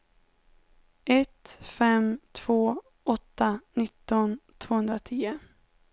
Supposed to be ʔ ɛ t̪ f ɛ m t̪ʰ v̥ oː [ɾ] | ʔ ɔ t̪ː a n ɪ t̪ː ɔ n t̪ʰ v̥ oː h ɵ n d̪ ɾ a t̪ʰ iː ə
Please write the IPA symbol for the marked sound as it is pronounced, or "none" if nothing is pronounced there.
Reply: none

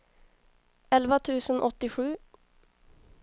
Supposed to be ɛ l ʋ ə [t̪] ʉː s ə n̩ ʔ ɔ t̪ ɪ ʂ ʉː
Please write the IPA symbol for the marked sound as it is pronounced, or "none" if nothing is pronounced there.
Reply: t̪ʰ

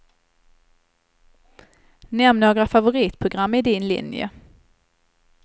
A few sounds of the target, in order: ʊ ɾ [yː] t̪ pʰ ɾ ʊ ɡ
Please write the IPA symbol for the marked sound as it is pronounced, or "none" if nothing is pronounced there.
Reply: iː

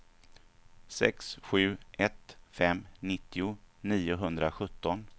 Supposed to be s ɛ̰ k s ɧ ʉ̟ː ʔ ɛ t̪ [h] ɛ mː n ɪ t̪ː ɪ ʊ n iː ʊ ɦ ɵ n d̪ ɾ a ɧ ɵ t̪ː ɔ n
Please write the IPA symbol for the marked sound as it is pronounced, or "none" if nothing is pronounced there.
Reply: f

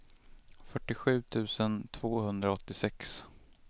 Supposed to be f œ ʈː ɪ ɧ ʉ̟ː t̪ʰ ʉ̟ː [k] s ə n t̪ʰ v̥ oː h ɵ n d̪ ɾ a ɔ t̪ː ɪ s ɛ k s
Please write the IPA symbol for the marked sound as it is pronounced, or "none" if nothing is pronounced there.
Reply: none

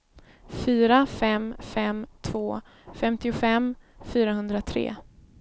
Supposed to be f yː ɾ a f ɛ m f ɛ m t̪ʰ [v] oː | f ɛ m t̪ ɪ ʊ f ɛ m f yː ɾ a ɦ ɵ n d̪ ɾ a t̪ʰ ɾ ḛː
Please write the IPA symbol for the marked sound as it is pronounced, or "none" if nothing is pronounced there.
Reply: v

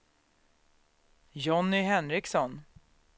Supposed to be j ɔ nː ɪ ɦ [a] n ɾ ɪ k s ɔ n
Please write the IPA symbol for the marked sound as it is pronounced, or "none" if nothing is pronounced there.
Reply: ɛ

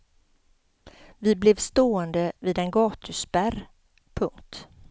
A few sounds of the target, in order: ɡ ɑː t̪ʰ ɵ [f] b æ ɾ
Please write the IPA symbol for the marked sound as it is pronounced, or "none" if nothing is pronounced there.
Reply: s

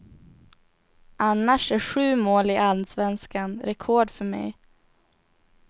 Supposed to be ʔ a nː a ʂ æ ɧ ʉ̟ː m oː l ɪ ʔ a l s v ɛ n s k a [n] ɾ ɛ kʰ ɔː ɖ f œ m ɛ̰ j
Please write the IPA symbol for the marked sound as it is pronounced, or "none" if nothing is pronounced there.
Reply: n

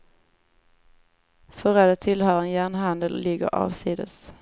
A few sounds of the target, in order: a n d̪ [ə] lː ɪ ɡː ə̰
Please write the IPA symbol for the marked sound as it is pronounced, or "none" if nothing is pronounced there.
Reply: ə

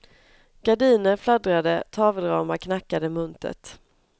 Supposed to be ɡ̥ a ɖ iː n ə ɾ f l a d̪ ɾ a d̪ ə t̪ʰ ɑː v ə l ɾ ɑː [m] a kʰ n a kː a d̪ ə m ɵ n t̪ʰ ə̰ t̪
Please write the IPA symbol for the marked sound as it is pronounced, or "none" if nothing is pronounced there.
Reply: m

